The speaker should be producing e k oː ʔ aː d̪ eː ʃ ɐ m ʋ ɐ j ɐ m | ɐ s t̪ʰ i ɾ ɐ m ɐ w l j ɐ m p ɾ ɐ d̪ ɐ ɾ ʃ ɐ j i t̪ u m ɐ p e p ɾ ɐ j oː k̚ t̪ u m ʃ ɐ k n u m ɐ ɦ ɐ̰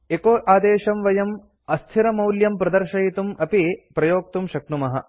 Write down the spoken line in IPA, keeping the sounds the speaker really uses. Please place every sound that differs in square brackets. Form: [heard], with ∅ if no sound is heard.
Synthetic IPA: e k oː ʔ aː d̪ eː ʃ ɐ m ʋ ɐ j ɐ m | ɐ s t̪ʰ i ɾ ɐ m ɐ w l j ɐ m p ɾ ɐ d̪ ɐ ɾ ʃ ɐ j i t̪ u m ɐ p [i] p ɾ ɐ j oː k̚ t̪ u m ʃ ɐ k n u m ɐ ɦ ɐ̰

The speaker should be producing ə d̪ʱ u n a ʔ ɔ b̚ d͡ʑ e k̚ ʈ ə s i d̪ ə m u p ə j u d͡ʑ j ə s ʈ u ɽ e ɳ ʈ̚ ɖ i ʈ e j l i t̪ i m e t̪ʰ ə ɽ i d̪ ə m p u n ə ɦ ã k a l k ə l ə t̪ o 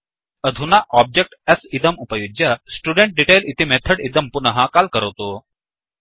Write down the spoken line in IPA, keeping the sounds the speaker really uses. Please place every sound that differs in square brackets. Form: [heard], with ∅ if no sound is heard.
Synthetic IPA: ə d̪ʱ u n a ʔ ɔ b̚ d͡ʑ e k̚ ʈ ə s i d̪ ə m u p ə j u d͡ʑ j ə s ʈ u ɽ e ɳ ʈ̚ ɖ i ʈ e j l i t̪ i m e t̪ʰ ə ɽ i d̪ ə m p u n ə ɦ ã k a l k ə [ɾ] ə t̪ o

